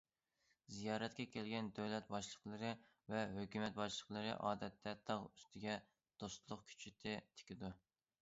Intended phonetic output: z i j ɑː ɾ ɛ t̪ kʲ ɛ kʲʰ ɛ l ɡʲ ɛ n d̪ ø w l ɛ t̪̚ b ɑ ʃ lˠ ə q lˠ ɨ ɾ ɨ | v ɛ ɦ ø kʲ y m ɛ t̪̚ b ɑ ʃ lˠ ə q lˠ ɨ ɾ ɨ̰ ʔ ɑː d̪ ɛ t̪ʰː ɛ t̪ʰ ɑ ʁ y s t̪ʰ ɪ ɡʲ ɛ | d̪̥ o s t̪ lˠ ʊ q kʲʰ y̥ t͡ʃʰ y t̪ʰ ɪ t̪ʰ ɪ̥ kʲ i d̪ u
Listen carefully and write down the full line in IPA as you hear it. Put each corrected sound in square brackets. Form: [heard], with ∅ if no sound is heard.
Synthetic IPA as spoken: z i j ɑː ɾ ɛ t̪ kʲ ɛ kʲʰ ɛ l ɡʲ ɛ n d̪ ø w l ɛ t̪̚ b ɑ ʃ lˠ ə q lˠ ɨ ɾ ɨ | v ɛ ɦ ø kʲ y m ɛ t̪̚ b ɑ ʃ lˠ ə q lˠ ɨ ɾ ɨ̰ ʔ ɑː d̪ ɛ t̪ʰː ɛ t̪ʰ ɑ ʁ y s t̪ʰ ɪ ɡʲ ɛ | d̪̥ o s t̪ lˠ ʊ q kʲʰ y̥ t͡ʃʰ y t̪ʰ ɪ t̪ʰ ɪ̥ kʲ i d̪ u